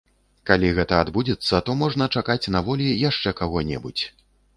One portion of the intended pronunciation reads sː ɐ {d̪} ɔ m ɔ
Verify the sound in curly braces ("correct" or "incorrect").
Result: incorrect